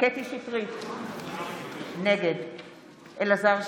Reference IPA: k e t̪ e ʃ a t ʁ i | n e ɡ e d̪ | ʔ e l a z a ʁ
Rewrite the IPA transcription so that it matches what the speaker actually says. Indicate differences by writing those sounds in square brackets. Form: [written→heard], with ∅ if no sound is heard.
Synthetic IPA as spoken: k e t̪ [e→i] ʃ [a→i] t ʁ i | n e ɡ e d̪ | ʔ e l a z a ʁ

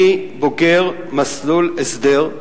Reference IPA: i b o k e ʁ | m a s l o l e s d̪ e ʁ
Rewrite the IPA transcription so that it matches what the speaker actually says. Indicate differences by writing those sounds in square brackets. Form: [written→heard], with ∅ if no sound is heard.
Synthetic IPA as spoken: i b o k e ʁ | m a s l [o→u] l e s d̪ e ʁ

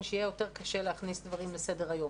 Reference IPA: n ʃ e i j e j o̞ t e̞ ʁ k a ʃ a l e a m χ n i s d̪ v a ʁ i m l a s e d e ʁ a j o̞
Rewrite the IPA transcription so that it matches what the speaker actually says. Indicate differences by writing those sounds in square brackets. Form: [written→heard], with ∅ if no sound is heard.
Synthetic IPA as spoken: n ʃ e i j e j o̞ t e̞ ʁ k a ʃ [a→e] l e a [m→∅] χ n i s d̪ v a ʁ i m l [a→e] s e d e ʁ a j o̞

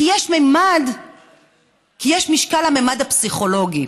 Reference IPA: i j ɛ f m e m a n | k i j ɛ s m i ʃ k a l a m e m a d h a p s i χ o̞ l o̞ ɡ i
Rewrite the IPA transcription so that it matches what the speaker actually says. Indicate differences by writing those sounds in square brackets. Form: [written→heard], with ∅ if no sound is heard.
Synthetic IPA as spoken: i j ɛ [f→ʃ] m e m a [n→d] | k i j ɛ [s→ʃ] m i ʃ k a l a m e m a d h a p s i χ o̞ l o̞ ɡ i

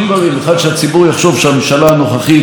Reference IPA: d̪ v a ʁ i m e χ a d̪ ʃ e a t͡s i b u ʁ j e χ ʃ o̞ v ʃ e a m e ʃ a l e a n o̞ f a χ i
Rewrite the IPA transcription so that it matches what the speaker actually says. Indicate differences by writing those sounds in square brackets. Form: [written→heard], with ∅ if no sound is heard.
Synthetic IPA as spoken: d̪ v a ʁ i m e χ a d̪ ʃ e a t͡s i b u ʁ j [e→a] χ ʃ o̞ v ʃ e a m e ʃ a l [e→a] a n o̞ [f→χ] a χ i

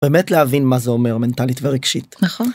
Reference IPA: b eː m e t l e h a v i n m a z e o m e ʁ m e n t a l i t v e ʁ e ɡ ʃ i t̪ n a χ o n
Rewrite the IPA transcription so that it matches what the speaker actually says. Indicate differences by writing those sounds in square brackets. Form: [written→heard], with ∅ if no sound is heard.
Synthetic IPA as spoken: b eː m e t l e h a v i n m a z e o m e ʁ m e n t a l i t v e ʁ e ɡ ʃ i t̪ n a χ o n

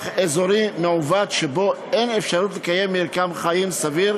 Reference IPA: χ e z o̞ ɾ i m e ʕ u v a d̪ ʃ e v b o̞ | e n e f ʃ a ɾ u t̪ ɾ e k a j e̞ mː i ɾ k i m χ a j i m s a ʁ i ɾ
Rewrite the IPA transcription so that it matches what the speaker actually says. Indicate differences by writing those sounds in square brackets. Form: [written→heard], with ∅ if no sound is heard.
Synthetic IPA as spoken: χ e z o̞ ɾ i m e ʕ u v a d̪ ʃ e [v→∅] b o̞ | e n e f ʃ a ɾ u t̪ [ɾ→l] e k a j e̞ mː i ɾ k [i→a] m χ a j i m s a [ʁ→v] i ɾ

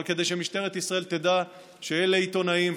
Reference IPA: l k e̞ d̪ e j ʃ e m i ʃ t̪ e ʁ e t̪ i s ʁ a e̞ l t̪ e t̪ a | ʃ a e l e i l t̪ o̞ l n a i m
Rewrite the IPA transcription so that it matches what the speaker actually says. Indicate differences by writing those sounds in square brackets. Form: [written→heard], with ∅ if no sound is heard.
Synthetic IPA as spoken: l k e̞ d̪ e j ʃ e m i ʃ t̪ e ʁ e t̪ i s ʁ a e̞ l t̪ e [t̪→d̪] a | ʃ [a→e] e l e i [l→∅] t̪ o̞ [l→∅] n a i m

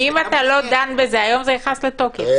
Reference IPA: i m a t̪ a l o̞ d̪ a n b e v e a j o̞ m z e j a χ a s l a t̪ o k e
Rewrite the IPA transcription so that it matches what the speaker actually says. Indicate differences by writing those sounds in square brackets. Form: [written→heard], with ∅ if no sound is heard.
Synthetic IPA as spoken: i m a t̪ a l o̞ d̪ a n b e [v→z] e a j o̞ m z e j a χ a s l [a→e] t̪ o k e

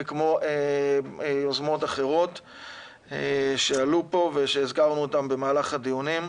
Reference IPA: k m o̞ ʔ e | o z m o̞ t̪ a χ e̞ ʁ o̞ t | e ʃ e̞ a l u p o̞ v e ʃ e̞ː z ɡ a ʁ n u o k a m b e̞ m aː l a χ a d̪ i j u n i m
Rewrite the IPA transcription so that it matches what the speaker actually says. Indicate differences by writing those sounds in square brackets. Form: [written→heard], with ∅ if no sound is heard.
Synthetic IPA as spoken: k m o̞ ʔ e | o z m o̞ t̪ a χ e̞ ʁ o̞ t | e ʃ e̞ a l u p o̞ v e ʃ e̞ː z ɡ a ʁ n u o [k→t] a m b e̞ m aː l a χ a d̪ i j u n i m

